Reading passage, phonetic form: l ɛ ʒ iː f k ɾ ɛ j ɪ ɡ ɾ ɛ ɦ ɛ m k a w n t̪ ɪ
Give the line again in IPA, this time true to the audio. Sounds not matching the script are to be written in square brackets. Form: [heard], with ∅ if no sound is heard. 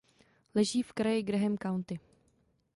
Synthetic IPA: l ɛ ʒ iː f k ɾ [a] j ɪ ɡ ɾ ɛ ɦ ɛ m k a w n t̪ ɪ